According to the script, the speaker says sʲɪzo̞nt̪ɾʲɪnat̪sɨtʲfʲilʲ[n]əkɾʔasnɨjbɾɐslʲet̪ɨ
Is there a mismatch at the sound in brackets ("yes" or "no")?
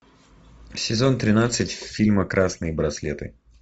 yes